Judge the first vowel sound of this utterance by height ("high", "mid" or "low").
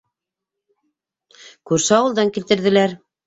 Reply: high